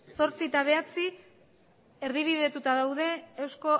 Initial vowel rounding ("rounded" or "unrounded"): rounded